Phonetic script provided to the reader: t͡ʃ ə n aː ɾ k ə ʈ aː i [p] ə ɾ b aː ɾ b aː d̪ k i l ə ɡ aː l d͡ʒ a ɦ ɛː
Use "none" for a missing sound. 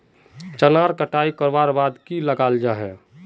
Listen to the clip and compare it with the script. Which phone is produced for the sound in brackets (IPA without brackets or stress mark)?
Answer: k